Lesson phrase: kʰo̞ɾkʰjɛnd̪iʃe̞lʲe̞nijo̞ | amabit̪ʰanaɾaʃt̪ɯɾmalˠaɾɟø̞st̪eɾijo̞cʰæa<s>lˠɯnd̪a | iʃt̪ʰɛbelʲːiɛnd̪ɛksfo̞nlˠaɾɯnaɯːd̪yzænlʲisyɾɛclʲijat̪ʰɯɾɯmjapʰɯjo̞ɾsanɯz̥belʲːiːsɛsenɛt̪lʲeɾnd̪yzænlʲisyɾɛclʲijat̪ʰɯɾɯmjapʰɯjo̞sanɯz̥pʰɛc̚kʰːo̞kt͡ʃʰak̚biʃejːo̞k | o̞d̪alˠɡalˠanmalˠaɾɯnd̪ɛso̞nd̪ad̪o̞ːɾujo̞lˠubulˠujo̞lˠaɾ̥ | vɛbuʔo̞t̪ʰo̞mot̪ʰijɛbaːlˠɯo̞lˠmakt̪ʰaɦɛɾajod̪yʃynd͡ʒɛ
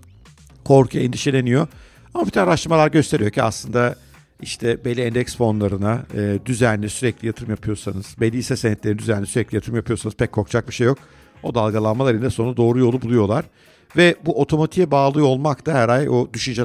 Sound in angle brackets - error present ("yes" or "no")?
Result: no